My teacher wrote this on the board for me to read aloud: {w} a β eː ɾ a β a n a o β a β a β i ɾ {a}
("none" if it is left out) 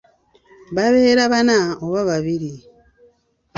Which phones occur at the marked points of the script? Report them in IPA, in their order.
β, i

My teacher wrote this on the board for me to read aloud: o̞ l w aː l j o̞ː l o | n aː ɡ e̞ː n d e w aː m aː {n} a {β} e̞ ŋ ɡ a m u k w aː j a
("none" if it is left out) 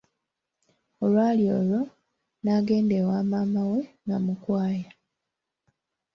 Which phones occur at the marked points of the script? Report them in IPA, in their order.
m, w

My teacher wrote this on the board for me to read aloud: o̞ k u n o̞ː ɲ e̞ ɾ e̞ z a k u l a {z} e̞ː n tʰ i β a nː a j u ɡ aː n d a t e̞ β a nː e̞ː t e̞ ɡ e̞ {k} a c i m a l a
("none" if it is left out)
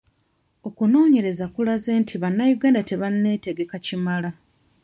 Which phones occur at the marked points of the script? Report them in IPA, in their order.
z, k

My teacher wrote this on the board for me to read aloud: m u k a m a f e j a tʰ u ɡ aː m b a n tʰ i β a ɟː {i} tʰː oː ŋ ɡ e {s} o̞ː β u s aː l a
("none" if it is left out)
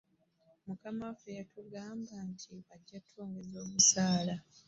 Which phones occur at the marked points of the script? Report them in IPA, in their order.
a, z

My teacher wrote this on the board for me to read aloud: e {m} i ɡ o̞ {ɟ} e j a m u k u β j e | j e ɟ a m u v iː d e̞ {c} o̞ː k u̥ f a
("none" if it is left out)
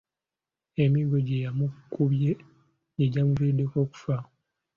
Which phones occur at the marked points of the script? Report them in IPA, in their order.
m, ɟ, k

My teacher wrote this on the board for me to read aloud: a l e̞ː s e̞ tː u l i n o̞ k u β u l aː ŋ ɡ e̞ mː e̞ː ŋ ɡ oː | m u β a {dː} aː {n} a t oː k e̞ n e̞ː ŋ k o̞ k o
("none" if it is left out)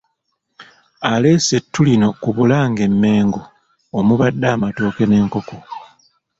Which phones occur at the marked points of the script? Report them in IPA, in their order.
dː, m

